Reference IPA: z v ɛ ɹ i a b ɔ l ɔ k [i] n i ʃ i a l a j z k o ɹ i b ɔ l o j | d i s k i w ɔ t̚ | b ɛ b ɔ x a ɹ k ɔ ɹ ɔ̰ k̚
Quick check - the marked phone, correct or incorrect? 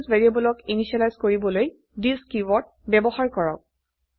correct